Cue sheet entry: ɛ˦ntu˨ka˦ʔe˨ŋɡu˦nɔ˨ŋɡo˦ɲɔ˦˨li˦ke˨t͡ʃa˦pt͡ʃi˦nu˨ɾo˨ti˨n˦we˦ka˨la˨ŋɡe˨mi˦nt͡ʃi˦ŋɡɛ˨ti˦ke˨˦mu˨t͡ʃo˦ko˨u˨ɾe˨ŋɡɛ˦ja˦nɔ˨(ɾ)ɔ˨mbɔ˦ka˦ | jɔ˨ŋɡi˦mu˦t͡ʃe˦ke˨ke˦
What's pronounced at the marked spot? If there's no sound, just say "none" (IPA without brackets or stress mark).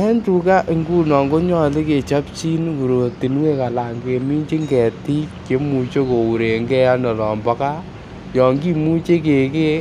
l